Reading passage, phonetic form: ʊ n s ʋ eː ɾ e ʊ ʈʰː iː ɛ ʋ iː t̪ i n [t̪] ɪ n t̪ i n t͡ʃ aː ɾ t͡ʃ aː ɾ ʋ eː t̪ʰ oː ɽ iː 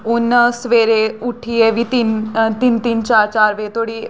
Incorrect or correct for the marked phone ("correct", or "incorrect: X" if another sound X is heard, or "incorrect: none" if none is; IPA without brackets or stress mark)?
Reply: correct